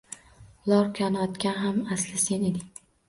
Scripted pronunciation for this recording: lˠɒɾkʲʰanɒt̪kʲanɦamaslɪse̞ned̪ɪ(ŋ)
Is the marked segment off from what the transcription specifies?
no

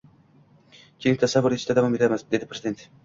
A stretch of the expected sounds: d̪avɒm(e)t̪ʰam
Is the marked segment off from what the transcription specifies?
no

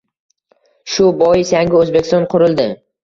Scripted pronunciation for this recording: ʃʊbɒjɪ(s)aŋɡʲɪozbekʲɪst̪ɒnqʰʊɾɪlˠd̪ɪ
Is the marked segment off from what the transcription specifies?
no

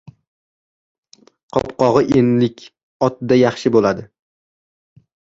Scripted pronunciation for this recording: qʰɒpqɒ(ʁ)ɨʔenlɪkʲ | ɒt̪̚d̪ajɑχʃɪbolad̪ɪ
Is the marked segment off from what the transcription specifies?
no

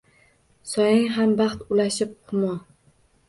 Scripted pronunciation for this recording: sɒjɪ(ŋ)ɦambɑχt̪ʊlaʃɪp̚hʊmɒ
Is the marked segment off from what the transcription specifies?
no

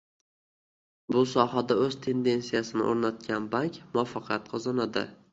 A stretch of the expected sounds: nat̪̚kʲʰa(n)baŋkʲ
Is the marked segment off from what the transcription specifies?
no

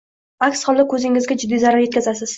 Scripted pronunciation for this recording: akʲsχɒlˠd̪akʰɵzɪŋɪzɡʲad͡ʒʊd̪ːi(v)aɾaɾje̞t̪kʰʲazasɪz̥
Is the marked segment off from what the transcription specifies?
yes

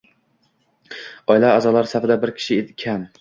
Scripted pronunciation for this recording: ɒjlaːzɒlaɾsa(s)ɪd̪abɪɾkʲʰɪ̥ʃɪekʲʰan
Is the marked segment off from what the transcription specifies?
yes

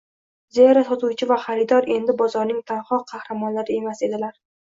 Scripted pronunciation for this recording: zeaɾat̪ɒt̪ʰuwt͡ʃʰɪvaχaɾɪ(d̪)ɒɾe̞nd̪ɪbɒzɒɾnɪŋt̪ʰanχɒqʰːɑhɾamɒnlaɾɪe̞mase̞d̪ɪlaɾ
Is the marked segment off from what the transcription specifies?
no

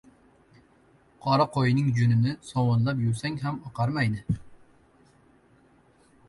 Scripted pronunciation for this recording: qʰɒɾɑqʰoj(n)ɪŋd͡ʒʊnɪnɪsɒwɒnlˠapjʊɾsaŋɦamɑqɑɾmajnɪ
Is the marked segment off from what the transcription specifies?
no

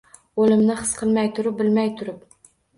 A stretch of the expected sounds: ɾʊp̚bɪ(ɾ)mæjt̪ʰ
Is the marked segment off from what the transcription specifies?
yes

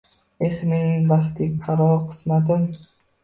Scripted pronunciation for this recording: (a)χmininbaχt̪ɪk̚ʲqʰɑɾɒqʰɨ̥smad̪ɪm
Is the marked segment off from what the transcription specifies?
yes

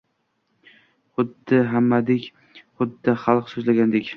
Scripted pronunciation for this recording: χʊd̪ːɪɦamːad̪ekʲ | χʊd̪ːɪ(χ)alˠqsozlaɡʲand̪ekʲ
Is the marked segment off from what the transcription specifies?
no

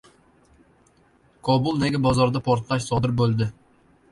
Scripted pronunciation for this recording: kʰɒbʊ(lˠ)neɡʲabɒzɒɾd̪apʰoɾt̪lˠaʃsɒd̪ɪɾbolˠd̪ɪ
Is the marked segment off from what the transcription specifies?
no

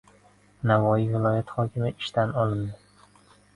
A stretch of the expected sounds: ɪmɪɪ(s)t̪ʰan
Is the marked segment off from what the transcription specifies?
yes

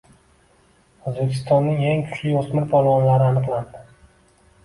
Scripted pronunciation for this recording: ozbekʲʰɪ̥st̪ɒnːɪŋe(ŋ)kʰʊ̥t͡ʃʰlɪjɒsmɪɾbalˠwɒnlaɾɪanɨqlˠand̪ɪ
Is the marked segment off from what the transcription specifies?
no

